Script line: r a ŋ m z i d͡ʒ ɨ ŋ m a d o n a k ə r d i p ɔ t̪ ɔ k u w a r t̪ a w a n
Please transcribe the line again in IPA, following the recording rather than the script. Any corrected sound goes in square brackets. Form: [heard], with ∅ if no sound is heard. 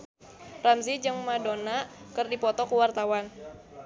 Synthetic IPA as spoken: r a [∅] m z i d͡ʒ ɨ ŋ m a d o n a k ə r d i p ɔ t̪ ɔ k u w a r t̪ a w a n